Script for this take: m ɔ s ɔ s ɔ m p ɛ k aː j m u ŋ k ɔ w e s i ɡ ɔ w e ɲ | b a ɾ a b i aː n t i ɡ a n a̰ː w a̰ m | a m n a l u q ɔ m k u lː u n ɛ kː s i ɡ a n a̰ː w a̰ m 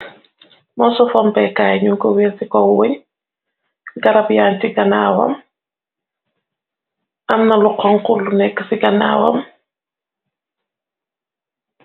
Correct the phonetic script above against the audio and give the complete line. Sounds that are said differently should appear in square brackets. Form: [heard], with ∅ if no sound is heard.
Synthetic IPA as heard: m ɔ s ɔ [f] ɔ m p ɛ k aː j [ɲ] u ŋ k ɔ w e s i [k] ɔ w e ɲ | [ɡ] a ɾ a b [j] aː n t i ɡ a n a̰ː w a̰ m | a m n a l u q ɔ [ŋ] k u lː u n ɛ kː s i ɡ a n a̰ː w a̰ m